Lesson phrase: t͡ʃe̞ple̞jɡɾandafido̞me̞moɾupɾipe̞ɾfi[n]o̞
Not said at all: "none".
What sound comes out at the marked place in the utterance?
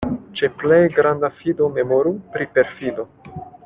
d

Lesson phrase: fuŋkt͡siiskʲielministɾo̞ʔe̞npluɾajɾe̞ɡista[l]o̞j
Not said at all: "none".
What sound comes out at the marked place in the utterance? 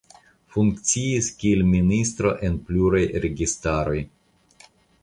ɾ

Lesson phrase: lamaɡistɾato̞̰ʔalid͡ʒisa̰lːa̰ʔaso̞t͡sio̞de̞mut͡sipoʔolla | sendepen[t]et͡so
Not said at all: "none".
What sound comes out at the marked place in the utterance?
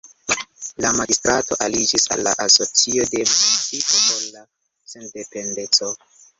d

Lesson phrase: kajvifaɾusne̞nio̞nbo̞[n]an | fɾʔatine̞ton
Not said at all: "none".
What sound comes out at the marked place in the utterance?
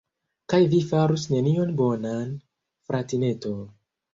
n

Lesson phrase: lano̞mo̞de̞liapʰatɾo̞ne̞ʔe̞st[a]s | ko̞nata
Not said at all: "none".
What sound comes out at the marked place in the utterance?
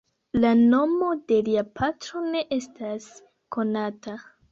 a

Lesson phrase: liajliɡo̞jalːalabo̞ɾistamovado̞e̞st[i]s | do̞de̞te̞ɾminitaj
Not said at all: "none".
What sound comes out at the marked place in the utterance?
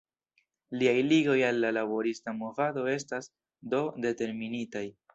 a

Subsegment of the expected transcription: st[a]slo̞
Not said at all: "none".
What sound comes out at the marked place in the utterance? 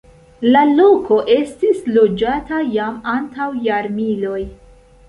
i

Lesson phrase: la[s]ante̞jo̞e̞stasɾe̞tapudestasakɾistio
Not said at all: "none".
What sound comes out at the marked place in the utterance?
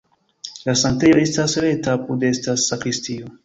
s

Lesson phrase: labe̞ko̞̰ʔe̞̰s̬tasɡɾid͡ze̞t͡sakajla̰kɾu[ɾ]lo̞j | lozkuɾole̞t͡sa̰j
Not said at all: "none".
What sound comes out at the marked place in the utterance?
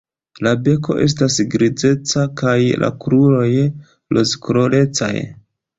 none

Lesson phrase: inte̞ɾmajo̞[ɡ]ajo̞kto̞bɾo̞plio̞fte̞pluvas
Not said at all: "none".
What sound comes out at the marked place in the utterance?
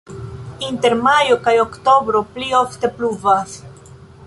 k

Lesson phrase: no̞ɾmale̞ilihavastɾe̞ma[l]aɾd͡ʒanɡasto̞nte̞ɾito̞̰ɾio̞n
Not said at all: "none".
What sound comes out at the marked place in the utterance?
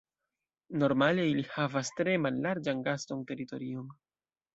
lː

